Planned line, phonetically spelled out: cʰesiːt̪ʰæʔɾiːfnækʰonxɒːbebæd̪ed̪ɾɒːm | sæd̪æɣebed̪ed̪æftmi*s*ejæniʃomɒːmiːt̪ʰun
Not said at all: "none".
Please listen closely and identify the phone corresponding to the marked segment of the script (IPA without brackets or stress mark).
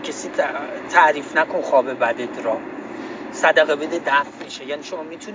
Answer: ʃ